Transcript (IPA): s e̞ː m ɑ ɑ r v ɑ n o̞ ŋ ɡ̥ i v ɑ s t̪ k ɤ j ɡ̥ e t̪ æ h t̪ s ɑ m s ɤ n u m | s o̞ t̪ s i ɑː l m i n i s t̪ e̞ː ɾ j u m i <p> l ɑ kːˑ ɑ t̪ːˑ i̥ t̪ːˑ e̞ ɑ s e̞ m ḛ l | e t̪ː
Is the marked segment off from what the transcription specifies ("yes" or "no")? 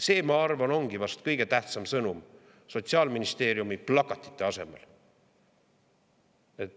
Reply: no